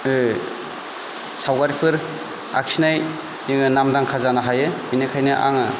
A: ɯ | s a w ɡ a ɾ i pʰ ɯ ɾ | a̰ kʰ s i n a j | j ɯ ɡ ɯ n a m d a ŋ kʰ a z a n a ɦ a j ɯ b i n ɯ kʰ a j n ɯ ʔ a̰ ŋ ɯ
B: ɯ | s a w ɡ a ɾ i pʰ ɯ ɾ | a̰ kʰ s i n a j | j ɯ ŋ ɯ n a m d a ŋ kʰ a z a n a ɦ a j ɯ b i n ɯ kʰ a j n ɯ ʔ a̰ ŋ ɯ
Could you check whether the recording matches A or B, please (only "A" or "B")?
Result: B